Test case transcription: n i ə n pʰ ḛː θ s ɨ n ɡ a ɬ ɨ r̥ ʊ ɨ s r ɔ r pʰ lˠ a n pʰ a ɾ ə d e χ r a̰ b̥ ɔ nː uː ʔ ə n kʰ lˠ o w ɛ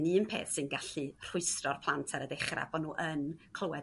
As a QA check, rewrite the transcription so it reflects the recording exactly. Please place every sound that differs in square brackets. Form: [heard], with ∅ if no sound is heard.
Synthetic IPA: n i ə n pʰ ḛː θ s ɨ n ɡ a ɬ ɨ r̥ ʊ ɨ s r ɔ r pʰ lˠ a n [tʰ] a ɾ ə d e χ r a̰ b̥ ɔ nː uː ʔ ə n kʰ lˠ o w ɛ